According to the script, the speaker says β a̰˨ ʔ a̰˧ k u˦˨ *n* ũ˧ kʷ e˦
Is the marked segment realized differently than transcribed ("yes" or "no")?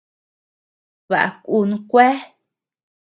no